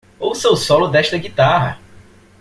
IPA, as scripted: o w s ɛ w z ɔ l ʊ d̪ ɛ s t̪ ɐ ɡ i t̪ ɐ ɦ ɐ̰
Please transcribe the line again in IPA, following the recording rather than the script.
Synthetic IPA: o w s e w s ɔ l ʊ d̪ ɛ ʃ t̪ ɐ ɡ i t̪ a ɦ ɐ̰